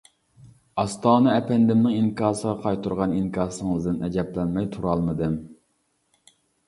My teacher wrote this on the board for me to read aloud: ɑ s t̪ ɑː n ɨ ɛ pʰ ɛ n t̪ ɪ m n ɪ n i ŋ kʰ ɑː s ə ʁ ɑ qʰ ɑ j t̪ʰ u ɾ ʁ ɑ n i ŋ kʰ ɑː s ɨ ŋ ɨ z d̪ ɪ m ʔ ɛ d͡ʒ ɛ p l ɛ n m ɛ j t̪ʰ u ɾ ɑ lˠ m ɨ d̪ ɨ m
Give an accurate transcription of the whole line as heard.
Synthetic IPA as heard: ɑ s t̪ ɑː n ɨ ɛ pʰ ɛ n d̪ ɪ m n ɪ ŋ i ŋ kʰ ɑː s ə ʁ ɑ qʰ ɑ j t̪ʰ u ɾ ʁ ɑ n i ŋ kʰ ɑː s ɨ ŋ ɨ z d̪ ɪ n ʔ ɛ d͡ʒ ɛ p l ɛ n m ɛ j t̪ʰ u ɾ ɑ lˠ m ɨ d̪ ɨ m